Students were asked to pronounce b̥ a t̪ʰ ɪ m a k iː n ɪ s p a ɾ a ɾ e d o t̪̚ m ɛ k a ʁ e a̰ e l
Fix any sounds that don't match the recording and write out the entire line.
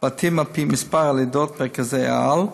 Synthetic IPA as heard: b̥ a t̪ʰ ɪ m a p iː m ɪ s p a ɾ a l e d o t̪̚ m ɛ k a z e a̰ a l